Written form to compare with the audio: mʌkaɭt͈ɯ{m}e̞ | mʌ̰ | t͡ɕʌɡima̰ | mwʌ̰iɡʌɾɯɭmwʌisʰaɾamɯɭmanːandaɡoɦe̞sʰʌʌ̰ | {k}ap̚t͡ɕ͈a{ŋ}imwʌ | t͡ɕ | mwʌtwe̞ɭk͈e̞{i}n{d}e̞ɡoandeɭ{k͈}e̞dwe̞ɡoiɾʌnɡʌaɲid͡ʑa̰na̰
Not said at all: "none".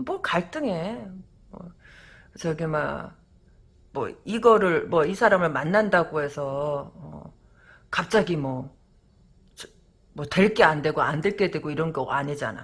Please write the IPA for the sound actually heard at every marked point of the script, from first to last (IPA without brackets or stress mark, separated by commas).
ŋ, k, ɡ, a, d, k͈